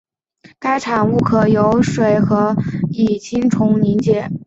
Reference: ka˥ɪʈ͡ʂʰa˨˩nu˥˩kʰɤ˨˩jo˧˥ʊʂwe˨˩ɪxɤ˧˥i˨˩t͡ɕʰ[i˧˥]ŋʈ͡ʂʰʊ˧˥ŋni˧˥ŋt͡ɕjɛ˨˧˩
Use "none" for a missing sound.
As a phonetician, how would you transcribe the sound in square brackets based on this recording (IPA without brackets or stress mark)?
i˥